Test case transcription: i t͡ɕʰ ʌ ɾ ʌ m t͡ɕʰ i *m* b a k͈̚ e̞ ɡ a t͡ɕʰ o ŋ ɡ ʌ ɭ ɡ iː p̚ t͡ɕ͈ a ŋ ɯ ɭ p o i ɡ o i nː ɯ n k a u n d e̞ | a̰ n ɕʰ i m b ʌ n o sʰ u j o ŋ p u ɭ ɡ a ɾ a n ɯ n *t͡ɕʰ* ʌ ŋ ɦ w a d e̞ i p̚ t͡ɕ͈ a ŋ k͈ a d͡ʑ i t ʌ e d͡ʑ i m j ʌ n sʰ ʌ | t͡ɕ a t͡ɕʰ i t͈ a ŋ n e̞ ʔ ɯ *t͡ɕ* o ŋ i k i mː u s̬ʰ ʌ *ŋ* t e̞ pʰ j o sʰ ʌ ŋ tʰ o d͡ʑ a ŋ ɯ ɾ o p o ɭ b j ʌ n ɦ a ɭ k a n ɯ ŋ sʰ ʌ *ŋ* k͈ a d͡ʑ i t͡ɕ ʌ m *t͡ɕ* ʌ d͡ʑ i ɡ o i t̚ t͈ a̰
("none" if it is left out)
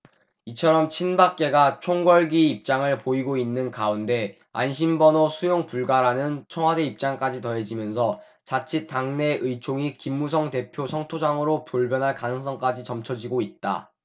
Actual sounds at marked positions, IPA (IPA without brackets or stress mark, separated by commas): n, t͡ɕʰ, t͡ɕʰ, ŋ, ŋ, t͡ɕʰ